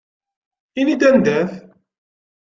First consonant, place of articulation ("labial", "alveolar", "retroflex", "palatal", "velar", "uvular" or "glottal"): alveolar